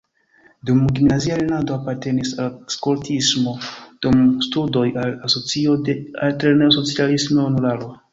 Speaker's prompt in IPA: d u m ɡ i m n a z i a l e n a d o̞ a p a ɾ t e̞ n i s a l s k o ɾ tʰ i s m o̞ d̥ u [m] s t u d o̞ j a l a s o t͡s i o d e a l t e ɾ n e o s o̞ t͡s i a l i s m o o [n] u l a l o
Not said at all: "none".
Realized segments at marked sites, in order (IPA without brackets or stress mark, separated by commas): m, n